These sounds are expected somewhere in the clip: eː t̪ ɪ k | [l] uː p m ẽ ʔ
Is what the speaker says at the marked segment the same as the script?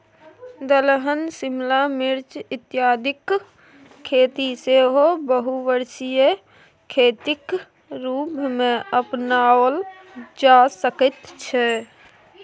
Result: no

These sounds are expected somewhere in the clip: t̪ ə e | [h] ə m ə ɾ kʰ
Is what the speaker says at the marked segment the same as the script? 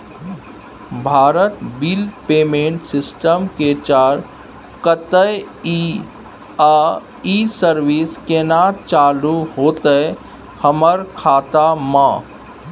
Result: yes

